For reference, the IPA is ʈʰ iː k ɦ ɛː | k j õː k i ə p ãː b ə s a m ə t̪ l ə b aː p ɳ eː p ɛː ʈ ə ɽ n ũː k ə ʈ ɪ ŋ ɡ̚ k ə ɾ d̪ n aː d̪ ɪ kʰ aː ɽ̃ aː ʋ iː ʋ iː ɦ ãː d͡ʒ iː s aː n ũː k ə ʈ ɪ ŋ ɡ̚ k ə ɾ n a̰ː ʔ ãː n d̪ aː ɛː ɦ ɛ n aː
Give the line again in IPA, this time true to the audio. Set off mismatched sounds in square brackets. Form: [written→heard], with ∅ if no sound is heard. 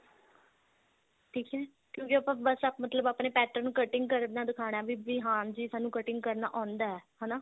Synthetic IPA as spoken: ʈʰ iː k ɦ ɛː | k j õː k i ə p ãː b ə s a m ə t̪ l ə b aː p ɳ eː p ɛː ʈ ə [ɽ→ɾ] n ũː k ə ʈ ɪ ŋ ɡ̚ k ə ɾ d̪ n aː d̪ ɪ kʰ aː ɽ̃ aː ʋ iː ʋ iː ɦ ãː d͡ʒ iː s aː n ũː k ə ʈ ɪ ŋ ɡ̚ k ə ɾ n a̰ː ʔ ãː n d̪ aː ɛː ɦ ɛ n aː